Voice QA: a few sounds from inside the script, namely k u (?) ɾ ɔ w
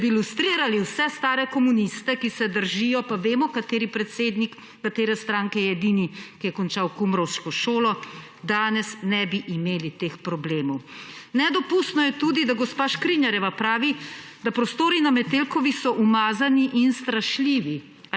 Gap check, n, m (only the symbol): m